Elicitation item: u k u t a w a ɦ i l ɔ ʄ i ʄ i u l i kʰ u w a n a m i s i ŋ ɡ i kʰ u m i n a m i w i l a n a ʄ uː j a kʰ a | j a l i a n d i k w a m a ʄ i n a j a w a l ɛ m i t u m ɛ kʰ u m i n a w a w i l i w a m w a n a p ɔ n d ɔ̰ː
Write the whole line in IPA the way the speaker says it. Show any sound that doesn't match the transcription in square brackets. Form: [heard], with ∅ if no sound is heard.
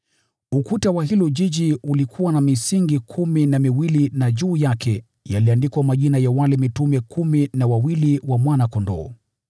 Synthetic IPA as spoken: u k u t a w a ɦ i l ɔ ʄ i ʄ i u l i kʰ u w a n a m i s i ŋ ɡ i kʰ u m i n a m i w i l [i] n a ʄ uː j a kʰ [ɛ] | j a l i a n d i k w a m a ʄ i n a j a w a l ɛ m i t u m ɛ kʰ u m i n a w a w i l i w a m w a n a [k] ɔ n d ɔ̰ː